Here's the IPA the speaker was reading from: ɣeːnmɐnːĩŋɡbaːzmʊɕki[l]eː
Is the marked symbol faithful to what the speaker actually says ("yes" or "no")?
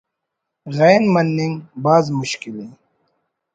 yes